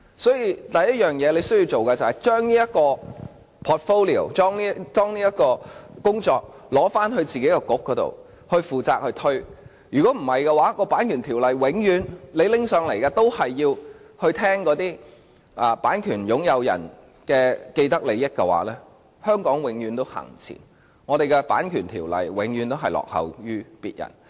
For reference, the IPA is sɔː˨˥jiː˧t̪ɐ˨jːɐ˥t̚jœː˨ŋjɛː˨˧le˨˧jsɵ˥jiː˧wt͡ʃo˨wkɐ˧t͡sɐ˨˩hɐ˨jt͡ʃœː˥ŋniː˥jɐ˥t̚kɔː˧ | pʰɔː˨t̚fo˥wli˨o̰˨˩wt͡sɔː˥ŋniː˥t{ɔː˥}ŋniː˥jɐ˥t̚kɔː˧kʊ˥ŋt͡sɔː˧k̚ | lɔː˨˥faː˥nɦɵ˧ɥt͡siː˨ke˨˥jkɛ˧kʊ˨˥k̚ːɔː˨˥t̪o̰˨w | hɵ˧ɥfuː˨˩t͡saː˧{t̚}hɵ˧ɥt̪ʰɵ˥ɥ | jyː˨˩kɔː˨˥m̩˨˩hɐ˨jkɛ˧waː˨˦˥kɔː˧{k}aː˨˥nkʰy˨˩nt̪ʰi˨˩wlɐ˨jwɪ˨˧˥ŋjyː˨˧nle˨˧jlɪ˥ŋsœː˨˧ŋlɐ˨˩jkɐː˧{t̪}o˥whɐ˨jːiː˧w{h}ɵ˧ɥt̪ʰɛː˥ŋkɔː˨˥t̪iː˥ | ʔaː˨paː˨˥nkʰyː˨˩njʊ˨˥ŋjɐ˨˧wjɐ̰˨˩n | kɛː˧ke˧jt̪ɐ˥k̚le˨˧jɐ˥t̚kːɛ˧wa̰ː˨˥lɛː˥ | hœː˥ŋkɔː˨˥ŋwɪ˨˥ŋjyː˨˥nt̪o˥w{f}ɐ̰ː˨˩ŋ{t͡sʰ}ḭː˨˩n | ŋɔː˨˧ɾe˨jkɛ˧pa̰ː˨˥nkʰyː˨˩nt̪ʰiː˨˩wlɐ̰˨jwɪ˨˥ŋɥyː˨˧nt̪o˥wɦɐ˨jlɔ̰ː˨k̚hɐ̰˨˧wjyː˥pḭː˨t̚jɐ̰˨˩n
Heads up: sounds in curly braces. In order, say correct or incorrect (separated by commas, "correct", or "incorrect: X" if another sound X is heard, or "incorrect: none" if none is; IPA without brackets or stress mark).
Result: correct, incorrect: k̚, incorrect: p, correct, correct, incorrect: h, correct